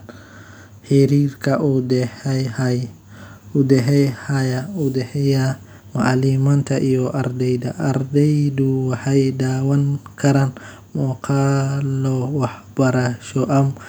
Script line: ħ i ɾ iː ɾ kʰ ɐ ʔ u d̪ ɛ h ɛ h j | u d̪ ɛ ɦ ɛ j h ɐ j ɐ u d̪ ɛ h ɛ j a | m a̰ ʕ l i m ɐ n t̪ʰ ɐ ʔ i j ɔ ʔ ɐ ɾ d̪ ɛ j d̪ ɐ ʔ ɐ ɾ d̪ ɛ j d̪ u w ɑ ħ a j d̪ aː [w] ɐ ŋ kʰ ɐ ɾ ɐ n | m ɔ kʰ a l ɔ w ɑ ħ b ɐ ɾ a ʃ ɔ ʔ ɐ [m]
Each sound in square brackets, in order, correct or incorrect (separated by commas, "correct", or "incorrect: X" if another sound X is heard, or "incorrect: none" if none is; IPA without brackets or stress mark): correct, correct